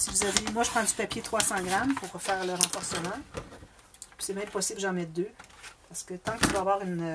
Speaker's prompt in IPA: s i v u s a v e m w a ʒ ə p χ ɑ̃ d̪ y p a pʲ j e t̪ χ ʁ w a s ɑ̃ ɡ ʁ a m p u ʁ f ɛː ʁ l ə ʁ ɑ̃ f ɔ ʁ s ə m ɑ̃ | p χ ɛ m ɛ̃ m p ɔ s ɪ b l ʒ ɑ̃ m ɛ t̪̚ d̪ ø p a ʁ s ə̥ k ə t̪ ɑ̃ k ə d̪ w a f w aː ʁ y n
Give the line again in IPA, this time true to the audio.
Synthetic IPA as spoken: s i v u z a v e m w a ʒ ə p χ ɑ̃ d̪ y p a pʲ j e t̪ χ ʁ w a s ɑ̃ ɡ ʁ a m p u ʁ f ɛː ʁ l ə ʁ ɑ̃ f ɔ ʁ s ə m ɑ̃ | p s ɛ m ɛ̃ m p ɔ s ɪ b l ʒ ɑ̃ m ɛ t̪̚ d̪ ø p a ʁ s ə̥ k ə t̪ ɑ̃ k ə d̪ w a v w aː ʁ y n